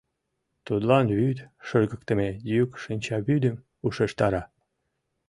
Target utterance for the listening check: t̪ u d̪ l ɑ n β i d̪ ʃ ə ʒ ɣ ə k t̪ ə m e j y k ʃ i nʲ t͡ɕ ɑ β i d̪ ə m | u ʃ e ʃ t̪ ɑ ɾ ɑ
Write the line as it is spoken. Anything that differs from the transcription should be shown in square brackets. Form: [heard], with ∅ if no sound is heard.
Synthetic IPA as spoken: t̪ u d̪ l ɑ n β [y] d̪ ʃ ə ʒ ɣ ə k t̪ ə m e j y k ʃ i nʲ t͡ɕ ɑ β [y] d̪ ə m | u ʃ e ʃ t̪ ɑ ɾ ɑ